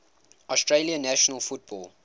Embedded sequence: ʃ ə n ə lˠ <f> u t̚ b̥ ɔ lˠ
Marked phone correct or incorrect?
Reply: correct